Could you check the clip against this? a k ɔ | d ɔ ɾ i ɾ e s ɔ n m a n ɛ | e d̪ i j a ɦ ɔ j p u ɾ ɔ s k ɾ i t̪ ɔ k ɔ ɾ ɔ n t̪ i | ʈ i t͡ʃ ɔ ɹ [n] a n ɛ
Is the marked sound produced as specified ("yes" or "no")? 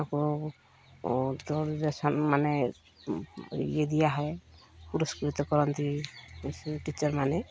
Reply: no